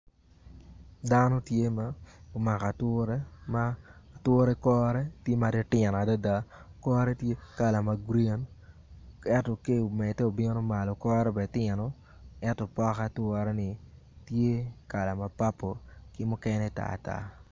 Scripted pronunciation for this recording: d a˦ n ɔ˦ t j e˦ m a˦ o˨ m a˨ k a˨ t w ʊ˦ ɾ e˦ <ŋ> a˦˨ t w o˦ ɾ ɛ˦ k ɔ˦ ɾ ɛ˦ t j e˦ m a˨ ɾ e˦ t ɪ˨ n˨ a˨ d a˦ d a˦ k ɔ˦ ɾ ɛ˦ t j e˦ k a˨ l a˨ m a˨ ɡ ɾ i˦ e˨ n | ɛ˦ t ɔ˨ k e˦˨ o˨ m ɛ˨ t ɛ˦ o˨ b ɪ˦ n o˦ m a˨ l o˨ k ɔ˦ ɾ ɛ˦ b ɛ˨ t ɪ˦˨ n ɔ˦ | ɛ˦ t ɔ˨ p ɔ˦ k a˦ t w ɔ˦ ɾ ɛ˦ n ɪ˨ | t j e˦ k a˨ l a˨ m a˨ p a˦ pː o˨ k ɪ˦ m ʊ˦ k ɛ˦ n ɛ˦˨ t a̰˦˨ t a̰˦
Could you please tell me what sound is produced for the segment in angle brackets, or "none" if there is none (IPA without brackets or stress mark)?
m